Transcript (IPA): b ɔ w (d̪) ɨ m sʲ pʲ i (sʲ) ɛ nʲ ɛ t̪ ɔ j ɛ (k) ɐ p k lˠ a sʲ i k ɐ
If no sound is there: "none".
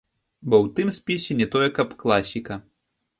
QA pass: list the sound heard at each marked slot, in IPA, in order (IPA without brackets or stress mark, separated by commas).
t̪, sʲ, k